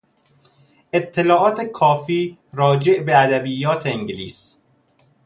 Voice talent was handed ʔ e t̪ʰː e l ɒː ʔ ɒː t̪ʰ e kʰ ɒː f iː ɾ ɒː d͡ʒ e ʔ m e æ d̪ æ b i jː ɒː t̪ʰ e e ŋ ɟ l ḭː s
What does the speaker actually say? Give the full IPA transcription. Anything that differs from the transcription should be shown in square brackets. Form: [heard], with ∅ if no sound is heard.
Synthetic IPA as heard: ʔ e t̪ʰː e l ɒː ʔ ɒː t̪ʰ e kʰ ɒː f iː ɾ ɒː d͡ʒ e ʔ [b] e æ d̪ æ b i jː ɒː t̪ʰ e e ŋ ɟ l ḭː s